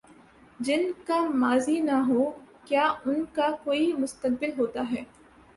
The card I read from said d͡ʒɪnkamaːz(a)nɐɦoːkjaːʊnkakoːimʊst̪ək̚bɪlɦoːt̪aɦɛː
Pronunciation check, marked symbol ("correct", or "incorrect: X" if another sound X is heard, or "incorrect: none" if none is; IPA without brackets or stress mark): incorrect: i